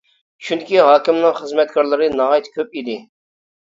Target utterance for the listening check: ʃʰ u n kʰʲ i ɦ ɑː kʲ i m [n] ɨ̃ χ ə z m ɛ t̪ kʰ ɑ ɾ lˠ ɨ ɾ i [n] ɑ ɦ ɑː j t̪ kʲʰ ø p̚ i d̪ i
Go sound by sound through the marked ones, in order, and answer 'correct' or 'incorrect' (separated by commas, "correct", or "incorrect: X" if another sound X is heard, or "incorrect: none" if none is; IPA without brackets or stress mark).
correct, correct